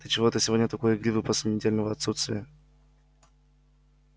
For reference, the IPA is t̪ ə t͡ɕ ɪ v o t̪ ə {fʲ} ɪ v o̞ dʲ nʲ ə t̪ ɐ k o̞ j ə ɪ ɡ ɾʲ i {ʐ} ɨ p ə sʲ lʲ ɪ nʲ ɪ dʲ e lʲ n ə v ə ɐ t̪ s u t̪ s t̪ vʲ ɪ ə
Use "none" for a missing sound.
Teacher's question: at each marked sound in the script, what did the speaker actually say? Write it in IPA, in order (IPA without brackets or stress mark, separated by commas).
sʲ, v